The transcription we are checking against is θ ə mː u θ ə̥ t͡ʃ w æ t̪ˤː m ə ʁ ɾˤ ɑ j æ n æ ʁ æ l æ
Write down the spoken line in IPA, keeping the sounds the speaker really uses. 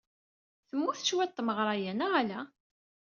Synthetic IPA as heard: θ ə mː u θ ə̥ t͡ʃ w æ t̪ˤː m ə ʁ ɾˤ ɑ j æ n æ ʁ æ l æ